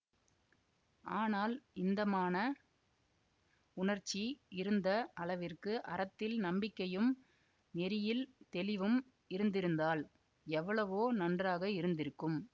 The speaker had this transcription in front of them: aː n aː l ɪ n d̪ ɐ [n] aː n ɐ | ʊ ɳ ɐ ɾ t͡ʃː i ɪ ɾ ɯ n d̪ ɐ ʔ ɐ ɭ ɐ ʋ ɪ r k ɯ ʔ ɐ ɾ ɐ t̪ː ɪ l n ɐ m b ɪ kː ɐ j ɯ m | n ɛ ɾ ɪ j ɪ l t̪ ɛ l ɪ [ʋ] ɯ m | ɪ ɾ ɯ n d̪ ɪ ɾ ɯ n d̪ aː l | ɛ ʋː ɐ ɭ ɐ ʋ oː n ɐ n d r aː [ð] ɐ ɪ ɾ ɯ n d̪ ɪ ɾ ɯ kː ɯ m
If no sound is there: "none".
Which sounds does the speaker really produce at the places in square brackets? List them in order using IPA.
m, ʋ, ɣ

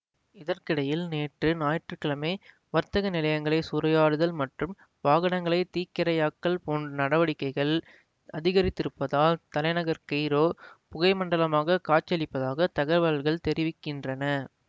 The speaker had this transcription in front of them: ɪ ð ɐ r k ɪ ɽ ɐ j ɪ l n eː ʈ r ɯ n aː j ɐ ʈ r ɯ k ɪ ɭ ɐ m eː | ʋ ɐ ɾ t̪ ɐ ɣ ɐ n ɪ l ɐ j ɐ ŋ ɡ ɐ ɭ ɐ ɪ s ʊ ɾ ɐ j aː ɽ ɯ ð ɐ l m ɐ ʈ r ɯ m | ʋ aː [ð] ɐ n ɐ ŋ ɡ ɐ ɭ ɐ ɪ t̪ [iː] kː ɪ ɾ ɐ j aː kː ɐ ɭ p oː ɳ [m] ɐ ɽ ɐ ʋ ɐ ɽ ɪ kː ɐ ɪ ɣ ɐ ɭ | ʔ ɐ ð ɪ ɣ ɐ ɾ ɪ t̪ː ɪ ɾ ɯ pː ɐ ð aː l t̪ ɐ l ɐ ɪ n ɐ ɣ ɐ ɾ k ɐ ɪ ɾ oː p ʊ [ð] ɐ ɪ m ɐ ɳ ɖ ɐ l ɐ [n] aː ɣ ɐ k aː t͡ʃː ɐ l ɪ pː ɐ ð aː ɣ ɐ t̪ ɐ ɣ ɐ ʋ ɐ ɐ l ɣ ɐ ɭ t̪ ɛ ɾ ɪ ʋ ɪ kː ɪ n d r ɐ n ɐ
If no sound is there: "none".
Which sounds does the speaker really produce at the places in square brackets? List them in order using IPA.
ɣ, iː, n, ɣ, m

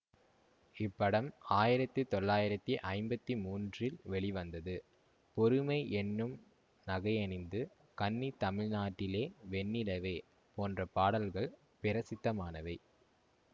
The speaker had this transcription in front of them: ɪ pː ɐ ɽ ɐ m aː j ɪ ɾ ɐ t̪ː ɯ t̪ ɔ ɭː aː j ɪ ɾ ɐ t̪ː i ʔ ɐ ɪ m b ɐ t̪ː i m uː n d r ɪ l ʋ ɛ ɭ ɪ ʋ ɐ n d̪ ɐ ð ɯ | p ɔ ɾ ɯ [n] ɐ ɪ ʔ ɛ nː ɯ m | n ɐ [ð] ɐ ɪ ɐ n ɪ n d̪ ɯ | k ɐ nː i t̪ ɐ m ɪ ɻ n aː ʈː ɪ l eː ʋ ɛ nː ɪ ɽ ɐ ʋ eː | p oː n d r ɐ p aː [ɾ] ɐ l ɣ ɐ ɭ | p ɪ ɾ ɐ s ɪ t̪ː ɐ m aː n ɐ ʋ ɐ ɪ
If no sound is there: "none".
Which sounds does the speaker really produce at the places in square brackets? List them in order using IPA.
m, ɣ, ɽ

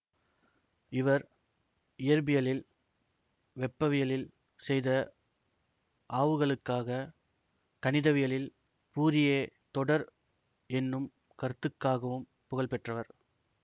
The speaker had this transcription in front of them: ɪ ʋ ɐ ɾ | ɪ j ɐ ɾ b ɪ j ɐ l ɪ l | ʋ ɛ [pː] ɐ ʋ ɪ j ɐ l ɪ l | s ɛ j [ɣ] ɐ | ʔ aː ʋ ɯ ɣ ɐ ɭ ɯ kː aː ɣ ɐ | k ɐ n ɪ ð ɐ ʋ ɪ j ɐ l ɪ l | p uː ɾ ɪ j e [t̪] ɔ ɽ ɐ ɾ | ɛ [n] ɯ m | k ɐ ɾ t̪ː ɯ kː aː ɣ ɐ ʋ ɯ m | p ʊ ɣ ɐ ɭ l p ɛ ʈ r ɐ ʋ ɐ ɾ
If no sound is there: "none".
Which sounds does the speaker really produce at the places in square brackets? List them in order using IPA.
pː, ð, t̪, nː

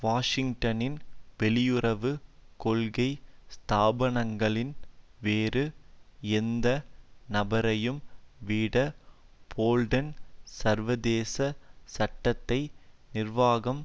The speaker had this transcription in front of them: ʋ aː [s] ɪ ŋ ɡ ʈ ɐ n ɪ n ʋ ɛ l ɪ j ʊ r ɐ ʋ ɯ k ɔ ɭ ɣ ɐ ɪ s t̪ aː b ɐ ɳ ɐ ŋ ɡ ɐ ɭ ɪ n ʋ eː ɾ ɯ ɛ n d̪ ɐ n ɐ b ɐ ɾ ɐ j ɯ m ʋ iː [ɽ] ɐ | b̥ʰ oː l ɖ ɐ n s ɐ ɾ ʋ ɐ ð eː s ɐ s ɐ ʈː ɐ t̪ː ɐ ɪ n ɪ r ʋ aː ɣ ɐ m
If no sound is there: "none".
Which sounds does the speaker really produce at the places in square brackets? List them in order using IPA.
ʂ, ɽ

